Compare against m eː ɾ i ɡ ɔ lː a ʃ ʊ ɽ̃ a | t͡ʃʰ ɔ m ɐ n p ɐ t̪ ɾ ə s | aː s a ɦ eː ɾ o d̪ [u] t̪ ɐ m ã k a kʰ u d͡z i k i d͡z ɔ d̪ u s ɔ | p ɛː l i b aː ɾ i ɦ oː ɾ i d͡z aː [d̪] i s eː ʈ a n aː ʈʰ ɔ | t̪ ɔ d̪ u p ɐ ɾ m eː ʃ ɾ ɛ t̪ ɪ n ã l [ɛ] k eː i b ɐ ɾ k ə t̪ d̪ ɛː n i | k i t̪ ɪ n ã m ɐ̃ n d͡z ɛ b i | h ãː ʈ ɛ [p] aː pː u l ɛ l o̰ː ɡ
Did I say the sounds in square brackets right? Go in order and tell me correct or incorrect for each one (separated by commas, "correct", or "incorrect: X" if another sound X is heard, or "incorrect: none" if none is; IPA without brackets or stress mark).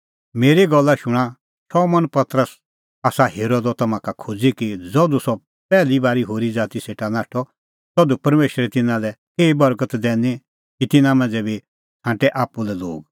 incorrect: ɔ, incorrect: t̪, correct, incorrect: ʔ